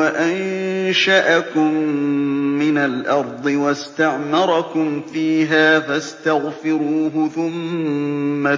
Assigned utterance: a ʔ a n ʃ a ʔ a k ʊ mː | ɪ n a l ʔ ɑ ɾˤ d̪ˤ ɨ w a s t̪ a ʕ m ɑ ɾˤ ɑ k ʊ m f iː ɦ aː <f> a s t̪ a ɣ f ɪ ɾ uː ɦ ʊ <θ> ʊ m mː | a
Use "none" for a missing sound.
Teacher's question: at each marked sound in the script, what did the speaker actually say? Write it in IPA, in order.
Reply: f, θ

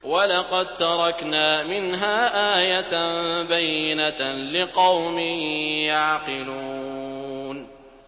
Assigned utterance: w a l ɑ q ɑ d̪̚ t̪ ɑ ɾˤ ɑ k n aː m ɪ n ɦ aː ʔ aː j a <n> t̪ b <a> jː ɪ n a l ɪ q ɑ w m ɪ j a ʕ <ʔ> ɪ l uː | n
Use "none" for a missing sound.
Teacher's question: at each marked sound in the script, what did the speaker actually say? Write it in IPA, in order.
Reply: none, a, q

